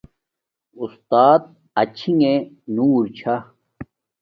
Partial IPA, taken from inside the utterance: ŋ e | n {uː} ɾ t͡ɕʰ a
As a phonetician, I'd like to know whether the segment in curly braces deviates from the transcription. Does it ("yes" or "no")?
no